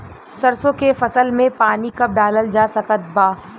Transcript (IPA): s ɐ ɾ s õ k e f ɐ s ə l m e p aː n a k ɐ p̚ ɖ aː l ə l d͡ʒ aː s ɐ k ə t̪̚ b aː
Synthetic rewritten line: s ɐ ɾ s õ k e f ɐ s ə l m ẽ p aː n i k ɐ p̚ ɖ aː l ə l d͡ʒ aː s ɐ k ə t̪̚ b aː